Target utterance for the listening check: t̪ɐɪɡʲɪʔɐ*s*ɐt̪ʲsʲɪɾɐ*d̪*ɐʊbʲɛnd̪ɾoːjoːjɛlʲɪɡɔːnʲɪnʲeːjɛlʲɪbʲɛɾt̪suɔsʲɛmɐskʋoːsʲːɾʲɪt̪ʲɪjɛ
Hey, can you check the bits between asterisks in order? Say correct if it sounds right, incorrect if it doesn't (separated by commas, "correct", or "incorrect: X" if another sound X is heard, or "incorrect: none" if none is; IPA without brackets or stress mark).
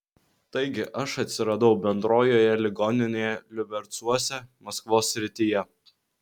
incorrect: ʃ, correct